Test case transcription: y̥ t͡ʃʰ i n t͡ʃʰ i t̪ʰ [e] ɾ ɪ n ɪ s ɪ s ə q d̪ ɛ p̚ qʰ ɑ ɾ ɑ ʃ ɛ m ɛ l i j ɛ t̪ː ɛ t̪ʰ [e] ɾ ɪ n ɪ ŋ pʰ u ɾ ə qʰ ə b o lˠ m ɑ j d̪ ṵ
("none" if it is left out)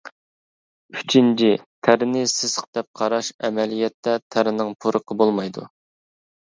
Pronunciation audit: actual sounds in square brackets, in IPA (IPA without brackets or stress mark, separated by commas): æ, æ